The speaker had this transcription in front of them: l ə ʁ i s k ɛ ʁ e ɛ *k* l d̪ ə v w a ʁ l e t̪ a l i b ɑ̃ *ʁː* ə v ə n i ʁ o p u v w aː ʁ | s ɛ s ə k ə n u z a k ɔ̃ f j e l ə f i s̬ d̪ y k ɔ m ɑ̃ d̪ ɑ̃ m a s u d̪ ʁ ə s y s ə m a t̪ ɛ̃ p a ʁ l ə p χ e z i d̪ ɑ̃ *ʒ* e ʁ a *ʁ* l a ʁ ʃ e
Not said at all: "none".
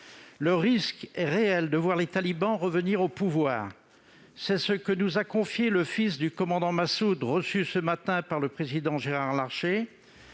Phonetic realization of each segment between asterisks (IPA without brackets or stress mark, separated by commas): none, ʁ, ʒ, ʁ